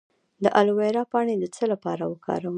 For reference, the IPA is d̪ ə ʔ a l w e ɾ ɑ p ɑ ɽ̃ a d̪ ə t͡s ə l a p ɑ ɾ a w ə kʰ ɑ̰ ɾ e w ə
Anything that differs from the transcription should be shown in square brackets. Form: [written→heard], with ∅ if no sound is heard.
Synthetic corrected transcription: d̪ ə ʔ a l w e ɾ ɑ p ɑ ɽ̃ [a→e] d̪ ə t͡s ə l a p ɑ ɾ a w ə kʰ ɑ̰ ɾ [e→a] w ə